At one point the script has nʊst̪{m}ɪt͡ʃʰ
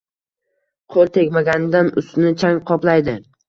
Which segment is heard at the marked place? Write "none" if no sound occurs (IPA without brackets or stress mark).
n